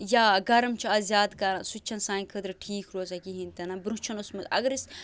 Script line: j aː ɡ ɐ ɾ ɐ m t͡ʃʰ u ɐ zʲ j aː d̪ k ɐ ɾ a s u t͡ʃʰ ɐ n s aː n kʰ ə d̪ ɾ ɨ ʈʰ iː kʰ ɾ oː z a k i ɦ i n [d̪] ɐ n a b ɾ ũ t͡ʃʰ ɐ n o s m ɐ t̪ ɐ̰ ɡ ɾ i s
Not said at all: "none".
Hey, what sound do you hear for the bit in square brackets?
t̪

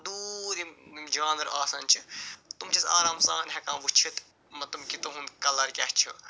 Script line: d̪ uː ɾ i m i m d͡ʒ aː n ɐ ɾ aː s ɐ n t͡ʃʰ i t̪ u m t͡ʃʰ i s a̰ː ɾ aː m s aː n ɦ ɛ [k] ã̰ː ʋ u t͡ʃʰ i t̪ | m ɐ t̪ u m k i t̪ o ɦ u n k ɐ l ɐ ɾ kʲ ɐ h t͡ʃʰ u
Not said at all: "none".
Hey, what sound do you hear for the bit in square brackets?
k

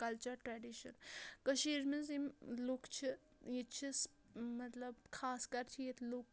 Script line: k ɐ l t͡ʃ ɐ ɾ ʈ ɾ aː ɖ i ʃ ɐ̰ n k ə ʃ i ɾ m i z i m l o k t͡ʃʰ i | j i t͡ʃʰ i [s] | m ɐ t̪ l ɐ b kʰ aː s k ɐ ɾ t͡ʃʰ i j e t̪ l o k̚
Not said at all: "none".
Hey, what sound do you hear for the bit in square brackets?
s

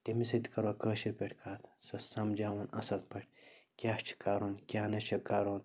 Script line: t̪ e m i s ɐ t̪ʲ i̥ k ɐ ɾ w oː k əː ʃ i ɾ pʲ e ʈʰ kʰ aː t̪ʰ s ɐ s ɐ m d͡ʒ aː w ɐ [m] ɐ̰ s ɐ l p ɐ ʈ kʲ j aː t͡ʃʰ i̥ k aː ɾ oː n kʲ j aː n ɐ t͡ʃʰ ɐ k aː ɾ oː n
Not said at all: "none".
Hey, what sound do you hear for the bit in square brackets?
n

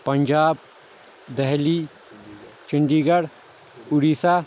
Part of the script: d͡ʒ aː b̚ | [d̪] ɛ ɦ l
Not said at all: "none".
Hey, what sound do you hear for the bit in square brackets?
d̪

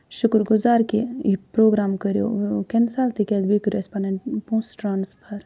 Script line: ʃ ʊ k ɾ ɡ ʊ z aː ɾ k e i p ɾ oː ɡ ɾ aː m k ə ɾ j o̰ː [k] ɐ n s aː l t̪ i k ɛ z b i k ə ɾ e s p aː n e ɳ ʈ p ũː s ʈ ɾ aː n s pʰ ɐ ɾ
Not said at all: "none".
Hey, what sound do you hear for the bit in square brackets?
k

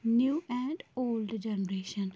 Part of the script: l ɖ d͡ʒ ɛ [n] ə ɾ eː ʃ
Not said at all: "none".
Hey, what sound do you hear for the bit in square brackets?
n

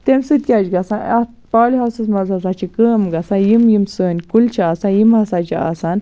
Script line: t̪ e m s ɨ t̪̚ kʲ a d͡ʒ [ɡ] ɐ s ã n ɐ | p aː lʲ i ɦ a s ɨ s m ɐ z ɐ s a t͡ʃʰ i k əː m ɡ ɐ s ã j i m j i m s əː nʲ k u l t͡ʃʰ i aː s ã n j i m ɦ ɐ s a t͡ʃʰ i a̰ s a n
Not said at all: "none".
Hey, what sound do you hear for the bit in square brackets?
ɡ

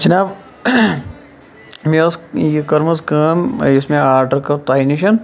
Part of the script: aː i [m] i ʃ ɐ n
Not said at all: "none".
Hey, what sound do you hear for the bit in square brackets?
n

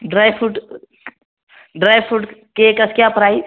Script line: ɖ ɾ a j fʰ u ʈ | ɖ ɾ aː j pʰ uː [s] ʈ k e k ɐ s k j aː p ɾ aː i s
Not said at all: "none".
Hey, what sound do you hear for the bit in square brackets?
none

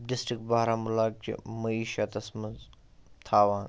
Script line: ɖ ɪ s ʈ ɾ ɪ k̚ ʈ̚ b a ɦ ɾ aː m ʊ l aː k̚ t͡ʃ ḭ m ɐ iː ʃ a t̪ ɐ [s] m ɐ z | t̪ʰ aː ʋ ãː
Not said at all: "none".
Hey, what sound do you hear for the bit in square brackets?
s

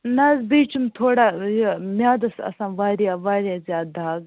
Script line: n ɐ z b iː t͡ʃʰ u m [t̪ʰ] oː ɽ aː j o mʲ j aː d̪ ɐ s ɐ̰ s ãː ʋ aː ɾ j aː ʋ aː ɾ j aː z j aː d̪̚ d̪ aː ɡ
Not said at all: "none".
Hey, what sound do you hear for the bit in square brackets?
t̪ʰ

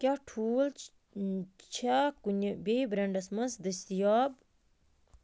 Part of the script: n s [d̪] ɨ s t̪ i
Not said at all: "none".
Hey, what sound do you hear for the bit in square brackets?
d̪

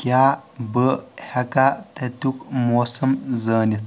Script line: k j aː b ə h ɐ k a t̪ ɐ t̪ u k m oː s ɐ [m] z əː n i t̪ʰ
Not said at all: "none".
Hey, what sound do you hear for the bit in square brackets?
m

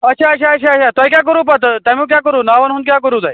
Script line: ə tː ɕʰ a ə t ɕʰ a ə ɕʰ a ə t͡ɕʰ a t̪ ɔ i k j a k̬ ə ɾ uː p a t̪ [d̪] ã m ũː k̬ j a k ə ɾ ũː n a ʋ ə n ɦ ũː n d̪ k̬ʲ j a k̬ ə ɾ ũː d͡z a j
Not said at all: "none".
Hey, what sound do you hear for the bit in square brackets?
t̪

